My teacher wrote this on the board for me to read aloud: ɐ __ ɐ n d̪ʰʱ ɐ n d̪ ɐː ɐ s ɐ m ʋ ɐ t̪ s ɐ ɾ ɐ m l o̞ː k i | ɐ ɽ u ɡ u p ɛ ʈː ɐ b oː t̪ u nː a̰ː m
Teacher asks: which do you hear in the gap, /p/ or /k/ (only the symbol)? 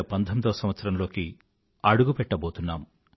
p